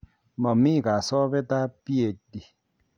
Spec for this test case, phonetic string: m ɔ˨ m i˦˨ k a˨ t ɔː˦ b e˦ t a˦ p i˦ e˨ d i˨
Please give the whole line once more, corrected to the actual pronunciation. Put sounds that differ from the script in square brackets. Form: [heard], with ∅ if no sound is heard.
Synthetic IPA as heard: m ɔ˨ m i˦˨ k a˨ [s] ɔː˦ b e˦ t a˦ p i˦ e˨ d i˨